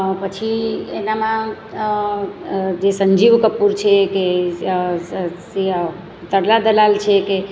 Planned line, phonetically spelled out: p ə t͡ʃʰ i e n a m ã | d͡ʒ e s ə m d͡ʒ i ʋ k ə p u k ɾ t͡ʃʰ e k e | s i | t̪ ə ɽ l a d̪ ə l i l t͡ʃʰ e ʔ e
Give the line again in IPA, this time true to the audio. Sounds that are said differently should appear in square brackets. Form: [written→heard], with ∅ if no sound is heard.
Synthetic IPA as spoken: p ə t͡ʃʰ i e n a m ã | d͡ʒ e s ə [m→ɲ] d͡ʒ i ʋ k ə p u [k→∅] ɾ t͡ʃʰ e k e | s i | t̪ ə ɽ l a d̪ ə l [i→a] l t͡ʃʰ e [ʔ→k] e